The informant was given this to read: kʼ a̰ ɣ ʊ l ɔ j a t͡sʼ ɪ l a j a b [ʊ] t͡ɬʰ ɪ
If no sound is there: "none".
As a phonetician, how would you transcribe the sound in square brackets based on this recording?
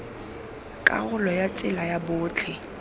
ʊː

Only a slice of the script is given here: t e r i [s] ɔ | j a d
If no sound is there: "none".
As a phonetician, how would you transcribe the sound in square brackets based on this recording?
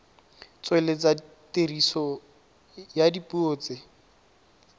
s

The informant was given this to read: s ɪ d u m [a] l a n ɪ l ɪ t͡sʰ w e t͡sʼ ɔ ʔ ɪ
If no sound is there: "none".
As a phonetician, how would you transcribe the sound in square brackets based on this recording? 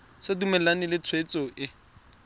ɛ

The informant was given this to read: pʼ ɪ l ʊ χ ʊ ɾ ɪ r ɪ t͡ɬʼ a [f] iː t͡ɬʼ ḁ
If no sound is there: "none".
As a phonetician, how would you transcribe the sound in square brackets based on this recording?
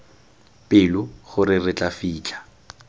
f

